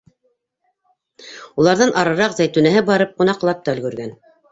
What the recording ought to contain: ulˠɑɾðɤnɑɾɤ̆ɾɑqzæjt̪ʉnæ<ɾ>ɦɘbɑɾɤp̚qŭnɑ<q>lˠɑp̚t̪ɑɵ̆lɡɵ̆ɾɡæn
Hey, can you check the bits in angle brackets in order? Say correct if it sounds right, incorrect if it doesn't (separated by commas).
incorrect, correct